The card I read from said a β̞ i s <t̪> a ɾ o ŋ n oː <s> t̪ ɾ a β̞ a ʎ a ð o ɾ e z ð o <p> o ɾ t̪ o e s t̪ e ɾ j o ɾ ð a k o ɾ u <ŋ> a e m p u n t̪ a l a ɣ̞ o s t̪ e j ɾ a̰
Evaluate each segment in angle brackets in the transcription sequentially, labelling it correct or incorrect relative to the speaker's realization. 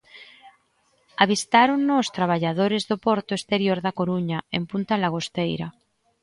correct, correct, correct, incorrect: ɲ

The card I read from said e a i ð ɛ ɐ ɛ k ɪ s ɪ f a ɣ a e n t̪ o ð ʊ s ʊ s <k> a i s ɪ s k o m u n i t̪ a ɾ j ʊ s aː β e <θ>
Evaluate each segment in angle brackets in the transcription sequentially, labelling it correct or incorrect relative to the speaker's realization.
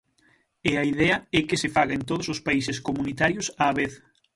incorrect: p, correct

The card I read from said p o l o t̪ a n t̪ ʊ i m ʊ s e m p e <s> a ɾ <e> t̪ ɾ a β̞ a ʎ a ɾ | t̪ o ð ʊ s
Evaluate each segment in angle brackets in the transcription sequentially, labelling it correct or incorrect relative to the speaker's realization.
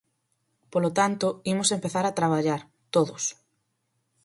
incorrect: θ, incorrect: a

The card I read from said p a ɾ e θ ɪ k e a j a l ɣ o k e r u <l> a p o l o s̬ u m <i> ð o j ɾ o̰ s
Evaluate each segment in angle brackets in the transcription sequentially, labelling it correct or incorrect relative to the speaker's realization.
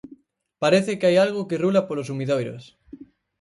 correct, correct

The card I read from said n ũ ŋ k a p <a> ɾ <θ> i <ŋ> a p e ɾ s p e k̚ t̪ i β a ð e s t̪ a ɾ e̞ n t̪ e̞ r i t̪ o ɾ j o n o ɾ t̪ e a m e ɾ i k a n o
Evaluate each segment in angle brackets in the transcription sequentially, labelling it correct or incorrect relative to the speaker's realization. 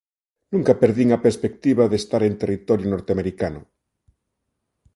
incorrect: e, incorrect: ð, correct

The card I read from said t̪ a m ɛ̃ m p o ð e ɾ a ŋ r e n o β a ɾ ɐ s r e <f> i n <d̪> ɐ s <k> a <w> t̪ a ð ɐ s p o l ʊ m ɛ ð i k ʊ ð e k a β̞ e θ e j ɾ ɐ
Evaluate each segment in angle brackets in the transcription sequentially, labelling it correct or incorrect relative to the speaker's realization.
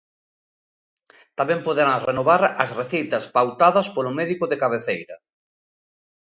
incorrect: θ, incorrect: t̪, incorrect: p, correct

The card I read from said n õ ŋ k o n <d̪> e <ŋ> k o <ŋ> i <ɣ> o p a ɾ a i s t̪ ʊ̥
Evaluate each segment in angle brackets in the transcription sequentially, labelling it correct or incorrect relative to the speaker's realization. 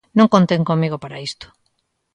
incorrect: t̪, correct, incorrect: m, correct

